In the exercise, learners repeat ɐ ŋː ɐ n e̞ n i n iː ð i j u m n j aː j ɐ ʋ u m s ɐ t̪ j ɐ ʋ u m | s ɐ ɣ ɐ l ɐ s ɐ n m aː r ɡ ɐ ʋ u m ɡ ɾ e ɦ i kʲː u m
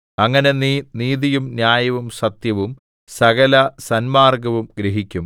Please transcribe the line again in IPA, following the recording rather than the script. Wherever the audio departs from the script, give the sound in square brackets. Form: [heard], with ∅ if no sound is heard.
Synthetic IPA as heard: ɐ ŋː ɐ n e̞ n i n iː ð i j u m n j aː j ɐ ʋ u m s ɐ t̪ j ɐ ʋ u m | s ɐ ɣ ɐ l ɐ s ɐ n m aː r ɡ ɐ ʋ u m ɡ ɾ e ɦ i kʲː u m

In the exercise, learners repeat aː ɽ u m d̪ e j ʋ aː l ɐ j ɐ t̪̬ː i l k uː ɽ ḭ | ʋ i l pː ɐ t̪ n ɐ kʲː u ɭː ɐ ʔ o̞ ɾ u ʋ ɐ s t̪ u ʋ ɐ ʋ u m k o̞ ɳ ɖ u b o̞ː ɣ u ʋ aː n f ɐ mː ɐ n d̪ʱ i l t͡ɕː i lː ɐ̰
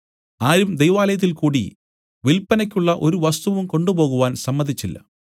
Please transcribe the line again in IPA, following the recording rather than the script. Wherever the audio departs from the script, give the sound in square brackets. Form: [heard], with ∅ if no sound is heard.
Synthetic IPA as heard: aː [ɾ] u m d̪ e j ʋ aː l ɐ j ɐ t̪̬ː i l k uː ɽ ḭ | ʋ i l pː ɐ [∅] n ɐ kʲː u ɭː ɐ ʔ o̞ ɾ u ʋ ɐ s t̪ u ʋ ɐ ʋ u m k o̞ ɳ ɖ u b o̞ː ɣ u ʋ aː n [s] ɐ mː ɐ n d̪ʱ i [∅] t͡ɕː i lː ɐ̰

